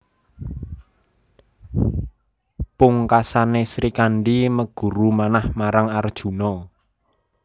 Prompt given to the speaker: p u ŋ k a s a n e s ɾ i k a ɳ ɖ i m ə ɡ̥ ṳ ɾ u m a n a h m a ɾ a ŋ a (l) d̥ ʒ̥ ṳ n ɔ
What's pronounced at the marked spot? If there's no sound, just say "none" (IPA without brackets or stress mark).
r